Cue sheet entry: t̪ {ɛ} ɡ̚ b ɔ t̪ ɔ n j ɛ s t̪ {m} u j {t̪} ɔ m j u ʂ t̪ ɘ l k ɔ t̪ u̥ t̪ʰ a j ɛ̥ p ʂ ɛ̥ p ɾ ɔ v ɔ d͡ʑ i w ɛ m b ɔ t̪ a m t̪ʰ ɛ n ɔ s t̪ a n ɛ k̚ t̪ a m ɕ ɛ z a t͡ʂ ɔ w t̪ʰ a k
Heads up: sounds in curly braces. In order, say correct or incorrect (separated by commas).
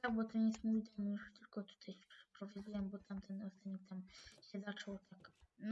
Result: incorrect, correct, incorrect